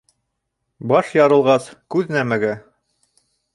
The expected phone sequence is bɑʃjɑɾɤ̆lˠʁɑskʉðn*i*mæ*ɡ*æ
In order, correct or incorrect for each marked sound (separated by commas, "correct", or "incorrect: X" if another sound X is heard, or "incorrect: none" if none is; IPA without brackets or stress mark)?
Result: incorrect: æ, correct